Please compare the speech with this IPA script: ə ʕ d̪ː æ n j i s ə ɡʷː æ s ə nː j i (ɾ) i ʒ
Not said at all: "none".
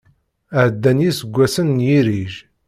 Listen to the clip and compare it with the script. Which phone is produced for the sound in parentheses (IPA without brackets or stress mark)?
ɾ